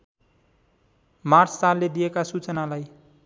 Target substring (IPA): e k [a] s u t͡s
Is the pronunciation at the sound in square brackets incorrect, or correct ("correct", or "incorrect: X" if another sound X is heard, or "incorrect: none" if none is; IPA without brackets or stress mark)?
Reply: correct